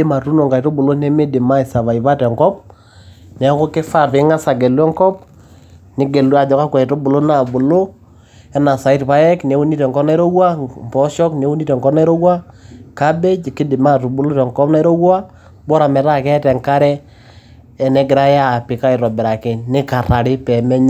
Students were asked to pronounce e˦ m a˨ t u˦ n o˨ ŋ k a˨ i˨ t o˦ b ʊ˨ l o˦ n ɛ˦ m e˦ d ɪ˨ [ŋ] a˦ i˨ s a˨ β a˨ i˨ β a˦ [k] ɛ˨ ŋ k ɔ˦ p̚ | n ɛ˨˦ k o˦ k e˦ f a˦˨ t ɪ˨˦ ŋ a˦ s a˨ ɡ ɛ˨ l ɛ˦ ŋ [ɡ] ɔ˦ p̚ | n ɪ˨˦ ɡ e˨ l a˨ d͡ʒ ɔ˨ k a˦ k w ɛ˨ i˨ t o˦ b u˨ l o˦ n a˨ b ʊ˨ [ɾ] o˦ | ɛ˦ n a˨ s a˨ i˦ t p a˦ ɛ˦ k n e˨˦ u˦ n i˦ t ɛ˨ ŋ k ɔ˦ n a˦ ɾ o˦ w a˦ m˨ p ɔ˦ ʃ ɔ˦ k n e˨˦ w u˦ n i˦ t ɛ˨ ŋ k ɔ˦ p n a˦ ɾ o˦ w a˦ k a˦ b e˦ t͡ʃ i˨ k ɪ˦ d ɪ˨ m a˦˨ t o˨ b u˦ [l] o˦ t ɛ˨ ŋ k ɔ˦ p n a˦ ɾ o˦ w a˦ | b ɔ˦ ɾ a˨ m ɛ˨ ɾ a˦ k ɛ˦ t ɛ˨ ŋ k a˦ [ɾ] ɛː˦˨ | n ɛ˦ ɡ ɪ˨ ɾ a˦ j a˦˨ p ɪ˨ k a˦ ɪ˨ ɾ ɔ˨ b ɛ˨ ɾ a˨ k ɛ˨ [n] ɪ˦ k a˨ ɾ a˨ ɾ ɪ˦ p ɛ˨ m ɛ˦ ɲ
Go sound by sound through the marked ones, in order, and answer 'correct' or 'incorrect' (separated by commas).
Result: incorrect, incorrect, incorrect, incorrect, correct, correct, correct